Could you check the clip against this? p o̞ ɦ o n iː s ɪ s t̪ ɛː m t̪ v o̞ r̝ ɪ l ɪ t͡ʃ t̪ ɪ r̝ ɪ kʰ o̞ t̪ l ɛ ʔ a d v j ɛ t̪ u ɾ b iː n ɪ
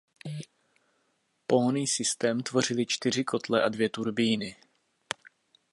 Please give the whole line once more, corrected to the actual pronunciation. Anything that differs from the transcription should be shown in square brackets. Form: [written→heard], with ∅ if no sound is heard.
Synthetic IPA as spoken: p o̞ ɦ o n iː s ɪ s t̪ ɛː m t̪ v o̞ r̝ ɪ l ɪ t͡ʃ t̪ ɪ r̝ ɪ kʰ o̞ t̪ l ɛ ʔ a d v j ɛ t̪ u ɾ b iː n ɪ